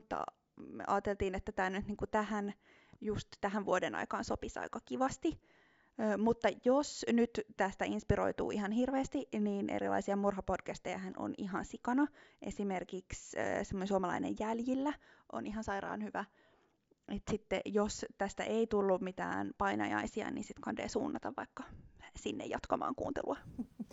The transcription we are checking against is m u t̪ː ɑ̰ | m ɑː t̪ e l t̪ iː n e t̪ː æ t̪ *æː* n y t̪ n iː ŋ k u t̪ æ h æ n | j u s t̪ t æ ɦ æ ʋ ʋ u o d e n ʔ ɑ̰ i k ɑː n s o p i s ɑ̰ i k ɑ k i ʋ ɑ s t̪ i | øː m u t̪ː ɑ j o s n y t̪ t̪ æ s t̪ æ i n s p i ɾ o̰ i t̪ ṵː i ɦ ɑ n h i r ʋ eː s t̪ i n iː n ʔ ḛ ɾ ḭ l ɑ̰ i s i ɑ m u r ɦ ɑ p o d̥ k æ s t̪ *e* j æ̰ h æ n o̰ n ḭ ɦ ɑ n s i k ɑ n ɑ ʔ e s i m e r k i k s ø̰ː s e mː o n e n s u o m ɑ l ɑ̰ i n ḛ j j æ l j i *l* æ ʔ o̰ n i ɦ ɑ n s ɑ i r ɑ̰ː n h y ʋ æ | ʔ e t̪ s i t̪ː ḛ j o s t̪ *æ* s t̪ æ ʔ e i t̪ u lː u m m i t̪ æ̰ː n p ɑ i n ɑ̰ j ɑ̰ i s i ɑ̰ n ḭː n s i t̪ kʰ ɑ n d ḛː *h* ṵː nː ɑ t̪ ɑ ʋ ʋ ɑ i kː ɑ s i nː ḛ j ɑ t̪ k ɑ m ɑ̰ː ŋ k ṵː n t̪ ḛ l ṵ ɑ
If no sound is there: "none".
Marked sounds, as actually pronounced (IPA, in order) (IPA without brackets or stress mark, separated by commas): æː, e, lː, æ, s